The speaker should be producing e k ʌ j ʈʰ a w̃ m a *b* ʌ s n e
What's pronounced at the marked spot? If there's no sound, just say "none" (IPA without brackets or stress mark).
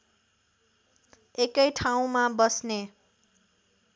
b